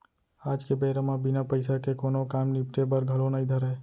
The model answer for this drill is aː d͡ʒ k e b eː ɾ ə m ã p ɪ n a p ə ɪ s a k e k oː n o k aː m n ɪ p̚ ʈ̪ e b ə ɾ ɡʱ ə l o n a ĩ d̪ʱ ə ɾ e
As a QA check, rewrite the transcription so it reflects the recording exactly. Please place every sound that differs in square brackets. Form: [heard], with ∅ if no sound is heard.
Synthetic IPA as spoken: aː d͡ʒ k e b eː ɾ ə m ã [b] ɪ n a p ə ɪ s a k e k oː n o k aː m n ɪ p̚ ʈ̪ e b ə ɾ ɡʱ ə l o n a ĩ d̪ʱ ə ɾ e